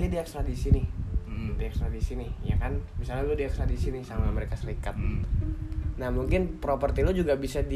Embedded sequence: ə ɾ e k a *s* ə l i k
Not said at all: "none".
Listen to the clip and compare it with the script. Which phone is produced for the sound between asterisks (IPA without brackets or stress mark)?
s